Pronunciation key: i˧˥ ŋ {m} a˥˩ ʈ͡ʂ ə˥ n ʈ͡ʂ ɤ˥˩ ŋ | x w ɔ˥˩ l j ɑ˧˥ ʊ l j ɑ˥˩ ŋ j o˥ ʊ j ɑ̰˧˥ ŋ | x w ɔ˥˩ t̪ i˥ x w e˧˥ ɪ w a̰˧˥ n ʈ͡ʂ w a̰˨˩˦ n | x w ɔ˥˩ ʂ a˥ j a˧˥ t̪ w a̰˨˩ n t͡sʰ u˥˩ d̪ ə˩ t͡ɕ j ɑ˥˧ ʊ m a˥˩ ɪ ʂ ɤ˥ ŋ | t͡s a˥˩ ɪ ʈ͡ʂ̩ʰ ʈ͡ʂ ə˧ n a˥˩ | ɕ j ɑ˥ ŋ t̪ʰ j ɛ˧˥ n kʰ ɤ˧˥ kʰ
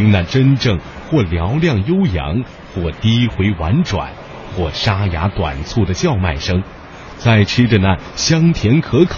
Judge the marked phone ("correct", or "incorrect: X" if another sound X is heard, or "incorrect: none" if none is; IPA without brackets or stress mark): incorrect: n